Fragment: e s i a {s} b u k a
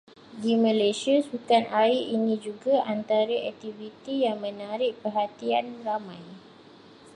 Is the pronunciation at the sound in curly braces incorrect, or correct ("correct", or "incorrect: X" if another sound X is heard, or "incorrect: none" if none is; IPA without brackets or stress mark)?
correct